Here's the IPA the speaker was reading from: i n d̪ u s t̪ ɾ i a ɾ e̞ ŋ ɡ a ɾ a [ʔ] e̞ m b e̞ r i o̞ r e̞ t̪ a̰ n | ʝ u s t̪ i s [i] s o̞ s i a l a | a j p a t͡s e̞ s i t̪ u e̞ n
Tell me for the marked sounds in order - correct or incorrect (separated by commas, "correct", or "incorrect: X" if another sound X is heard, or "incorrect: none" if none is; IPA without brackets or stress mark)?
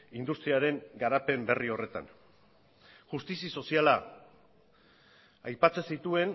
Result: incorrect: p, correct